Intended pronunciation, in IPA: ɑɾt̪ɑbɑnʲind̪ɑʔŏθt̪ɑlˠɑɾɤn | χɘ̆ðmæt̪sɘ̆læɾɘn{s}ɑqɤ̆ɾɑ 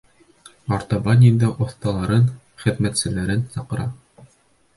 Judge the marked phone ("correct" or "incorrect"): correct